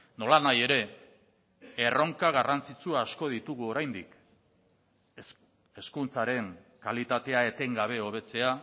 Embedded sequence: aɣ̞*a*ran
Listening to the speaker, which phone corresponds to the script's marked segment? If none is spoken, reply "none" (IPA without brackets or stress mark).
a